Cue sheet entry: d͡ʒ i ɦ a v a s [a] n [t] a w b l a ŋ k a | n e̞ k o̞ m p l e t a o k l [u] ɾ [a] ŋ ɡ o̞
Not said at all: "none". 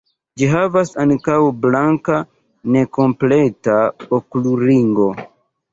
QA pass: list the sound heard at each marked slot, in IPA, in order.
a, k, u, i

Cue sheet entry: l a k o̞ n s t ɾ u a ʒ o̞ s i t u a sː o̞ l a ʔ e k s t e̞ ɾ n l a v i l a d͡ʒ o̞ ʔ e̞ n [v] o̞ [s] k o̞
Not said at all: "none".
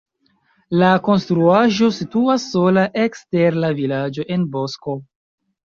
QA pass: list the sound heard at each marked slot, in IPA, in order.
b, s

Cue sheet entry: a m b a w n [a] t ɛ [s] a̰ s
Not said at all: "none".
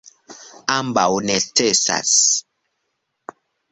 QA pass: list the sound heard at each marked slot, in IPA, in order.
ɛ, s

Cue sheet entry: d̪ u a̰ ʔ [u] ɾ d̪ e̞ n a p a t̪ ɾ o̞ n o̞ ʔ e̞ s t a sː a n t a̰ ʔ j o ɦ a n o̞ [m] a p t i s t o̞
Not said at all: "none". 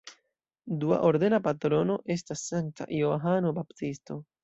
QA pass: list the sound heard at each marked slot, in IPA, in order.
o, b

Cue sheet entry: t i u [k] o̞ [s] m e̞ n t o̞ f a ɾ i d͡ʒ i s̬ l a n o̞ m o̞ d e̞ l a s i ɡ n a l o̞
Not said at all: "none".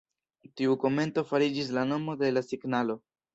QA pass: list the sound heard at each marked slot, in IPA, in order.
k, none

